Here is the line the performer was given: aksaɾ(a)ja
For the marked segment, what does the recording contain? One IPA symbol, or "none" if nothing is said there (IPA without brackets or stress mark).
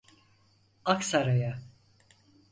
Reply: a